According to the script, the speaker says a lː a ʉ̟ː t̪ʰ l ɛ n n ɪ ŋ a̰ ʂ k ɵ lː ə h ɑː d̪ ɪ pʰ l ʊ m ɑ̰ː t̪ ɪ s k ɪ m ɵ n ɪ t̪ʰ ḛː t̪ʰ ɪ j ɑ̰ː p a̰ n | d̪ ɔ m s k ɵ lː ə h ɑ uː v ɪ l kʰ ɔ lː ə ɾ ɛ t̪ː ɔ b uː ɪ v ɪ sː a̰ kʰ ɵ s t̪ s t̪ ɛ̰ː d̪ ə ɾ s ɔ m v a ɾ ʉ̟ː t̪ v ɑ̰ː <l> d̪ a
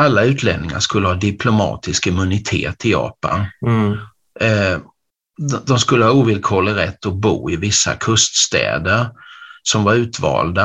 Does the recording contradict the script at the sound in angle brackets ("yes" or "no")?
no